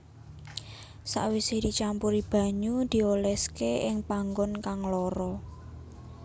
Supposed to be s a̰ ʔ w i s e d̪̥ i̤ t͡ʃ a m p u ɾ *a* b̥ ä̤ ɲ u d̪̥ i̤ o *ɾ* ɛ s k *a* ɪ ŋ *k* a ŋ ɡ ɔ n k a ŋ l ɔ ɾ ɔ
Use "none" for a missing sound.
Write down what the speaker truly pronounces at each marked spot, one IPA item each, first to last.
i, l, e, p

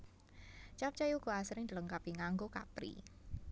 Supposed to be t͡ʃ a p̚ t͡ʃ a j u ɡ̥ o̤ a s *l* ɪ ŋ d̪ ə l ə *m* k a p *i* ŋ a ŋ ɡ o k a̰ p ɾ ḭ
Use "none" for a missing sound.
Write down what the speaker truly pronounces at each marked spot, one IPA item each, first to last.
ɾ, ŋ, i

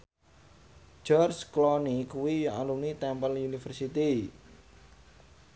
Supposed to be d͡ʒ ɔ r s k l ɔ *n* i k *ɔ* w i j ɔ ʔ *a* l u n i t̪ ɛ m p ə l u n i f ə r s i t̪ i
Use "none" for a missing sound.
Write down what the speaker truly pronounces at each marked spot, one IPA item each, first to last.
n, u, a

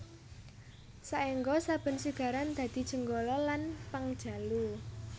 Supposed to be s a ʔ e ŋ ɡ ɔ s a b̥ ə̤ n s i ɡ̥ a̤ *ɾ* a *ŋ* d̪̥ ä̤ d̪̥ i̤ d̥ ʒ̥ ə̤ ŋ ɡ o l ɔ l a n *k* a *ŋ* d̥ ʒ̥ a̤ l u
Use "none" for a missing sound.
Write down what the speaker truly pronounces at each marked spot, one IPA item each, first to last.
ɾ, n, p, ŋ

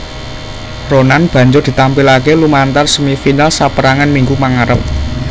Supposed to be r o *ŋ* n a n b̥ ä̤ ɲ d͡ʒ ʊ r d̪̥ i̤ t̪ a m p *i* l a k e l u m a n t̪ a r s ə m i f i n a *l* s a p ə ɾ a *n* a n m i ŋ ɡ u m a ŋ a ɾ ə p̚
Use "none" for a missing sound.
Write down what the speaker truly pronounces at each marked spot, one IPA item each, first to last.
none, i, l, ŋ

